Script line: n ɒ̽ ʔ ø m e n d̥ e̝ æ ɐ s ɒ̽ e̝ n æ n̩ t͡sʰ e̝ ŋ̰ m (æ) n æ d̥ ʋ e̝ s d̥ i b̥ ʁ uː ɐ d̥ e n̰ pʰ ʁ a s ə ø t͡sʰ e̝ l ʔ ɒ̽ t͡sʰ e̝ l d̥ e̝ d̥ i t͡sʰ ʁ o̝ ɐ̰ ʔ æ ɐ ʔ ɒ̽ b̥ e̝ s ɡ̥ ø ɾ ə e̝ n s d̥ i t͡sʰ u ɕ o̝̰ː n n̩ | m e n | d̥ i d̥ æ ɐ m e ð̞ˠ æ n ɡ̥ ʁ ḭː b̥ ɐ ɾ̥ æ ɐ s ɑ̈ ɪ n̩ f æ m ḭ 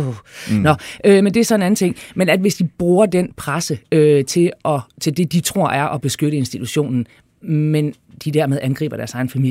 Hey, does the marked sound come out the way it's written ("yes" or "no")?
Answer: no